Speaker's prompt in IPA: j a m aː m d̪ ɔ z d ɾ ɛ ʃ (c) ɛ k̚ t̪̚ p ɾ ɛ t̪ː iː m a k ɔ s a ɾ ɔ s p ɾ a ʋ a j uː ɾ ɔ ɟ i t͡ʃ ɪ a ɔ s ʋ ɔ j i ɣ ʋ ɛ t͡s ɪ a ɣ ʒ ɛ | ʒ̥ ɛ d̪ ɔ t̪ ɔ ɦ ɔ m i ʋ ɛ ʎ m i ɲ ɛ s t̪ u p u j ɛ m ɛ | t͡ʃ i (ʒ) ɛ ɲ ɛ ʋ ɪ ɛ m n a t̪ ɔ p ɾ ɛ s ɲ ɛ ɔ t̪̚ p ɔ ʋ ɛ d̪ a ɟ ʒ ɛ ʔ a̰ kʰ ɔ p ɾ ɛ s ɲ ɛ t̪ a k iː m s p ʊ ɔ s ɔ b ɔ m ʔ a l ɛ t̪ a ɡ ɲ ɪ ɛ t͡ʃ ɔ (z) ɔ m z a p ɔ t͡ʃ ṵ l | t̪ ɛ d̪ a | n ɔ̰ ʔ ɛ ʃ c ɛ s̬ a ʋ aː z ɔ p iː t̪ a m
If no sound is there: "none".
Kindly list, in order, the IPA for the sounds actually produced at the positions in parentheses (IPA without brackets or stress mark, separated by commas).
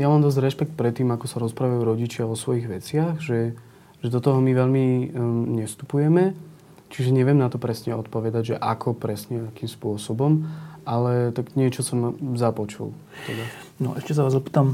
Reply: p, ʒ, s